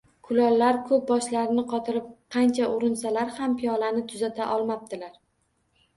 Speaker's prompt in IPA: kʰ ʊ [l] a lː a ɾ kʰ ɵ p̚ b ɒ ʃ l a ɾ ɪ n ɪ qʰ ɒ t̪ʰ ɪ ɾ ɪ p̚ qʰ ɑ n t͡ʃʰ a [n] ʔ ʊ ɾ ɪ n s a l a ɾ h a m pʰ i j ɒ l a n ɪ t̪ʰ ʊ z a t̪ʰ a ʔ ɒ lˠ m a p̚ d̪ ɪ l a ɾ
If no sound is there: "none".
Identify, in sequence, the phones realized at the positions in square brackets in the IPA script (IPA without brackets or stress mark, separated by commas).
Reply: l, none